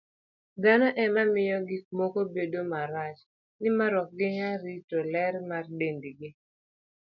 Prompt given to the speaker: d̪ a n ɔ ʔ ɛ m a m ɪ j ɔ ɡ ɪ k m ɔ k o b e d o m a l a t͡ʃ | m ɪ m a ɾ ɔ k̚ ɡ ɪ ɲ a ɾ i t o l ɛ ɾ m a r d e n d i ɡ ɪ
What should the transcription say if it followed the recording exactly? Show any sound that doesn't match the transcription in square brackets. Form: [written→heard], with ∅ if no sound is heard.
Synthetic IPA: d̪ a n ɔ ʔ ɛ m a m ɪ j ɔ ɡ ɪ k m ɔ k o b e d o m a [l→ɾ] a t͡ʃ | [m→n] ɪ m a ɾ ɔ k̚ ɡ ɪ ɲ a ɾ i t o l ɛ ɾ m a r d e n d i ɡ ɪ